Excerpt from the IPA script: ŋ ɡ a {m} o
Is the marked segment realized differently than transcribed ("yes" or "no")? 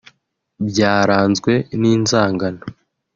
yes